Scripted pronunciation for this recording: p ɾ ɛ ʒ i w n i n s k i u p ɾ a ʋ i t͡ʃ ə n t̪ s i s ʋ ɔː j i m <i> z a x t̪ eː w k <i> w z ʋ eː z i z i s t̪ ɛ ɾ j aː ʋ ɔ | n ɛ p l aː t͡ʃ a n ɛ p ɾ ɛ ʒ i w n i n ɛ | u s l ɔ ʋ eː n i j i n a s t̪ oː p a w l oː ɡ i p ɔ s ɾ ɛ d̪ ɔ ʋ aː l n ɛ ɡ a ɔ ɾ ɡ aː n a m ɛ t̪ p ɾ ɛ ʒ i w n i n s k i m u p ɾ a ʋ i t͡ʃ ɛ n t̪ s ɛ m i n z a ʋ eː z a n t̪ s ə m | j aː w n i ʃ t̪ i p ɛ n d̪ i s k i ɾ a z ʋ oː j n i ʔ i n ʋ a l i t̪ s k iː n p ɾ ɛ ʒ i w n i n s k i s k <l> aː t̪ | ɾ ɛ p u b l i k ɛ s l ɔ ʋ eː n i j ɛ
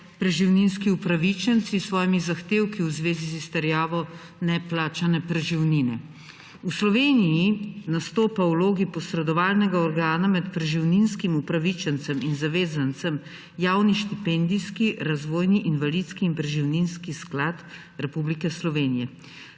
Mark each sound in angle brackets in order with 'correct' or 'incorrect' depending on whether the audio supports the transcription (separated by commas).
correct, correct, correct